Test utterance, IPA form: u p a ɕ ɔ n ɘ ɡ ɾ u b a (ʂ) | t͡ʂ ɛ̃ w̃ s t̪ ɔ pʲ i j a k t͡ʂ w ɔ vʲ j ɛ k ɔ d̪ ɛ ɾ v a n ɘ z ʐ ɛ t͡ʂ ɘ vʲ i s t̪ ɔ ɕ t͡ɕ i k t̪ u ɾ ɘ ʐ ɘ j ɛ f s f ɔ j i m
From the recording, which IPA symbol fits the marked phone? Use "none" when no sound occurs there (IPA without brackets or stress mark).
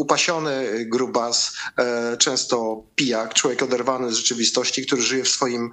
s